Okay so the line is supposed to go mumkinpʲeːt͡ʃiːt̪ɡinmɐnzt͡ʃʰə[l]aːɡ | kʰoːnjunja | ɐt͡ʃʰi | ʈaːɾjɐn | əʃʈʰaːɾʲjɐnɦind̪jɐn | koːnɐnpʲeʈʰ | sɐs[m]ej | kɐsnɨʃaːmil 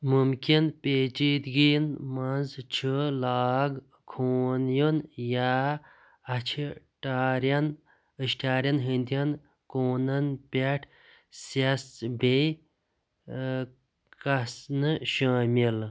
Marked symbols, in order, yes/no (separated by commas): yes, no